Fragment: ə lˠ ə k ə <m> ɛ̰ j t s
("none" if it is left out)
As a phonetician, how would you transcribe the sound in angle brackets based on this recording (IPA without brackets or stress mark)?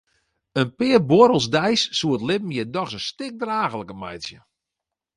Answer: m